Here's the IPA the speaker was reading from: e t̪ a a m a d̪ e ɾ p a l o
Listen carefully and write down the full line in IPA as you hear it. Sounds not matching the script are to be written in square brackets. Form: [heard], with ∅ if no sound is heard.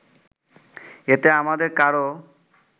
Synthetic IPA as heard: e t̪ [e] a m a d̪ e ɾ [k] a [ɾ] o